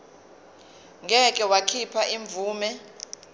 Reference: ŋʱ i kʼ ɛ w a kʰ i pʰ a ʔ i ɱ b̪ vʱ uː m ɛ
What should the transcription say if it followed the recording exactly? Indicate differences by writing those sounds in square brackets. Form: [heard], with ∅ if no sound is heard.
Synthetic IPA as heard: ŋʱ [ɛ] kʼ ɛ w a kʰ i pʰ a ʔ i ɱ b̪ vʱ uː m ɛ